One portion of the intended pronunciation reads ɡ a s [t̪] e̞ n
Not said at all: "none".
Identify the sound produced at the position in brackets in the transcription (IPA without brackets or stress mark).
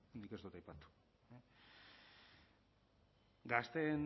t̪